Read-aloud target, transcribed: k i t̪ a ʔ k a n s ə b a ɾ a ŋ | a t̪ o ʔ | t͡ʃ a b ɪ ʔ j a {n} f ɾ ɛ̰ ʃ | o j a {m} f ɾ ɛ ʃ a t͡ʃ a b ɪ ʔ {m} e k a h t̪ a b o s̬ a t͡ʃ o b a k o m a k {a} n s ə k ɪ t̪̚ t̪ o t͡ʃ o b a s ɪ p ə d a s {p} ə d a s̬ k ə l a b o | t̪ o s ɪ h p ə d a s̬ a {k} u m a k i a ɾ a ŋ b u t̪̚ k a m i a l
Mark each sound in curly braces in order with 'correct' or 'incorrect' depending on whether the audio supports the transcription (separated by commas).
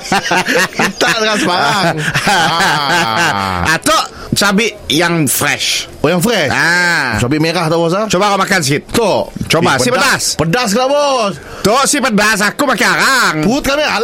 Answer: incorrect, incorrect, correct, correct, correct, correct